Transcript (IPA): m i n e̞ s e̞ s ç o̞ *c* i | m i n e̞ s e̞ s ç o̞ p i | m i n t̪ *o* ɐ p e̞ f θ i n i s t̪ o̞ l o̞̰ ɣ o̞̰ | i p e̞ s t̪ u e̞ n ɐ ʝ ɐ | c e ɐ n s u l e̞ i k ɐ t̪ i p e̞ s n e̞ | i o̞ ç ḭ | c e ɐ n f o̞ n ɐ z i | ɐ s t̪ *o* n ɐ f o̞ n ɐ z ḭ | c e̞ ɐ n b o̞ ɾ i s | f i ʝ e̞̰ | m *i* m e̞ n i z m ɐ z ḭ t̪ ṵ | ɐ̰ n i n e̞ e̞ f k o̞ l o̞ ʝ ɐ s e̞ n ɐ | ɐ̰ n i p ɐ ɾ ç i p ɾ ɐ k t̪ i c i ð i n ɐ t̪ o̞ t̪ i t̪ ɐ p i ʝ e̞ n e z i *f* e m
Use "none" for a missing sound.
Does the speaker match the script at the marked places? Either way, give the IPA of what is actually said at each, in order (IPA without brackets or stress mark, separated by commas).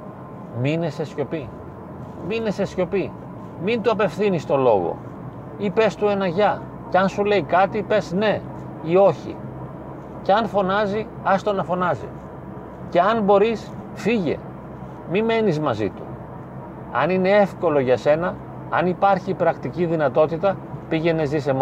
p, u, o, i, s